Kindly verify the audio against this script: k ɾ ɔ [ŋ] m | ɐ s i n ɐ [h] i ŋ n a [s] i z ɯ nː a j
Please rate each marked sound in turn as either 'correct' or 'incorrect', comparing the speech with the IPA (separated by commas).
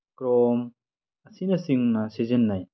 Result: incorrect, incorrect, correct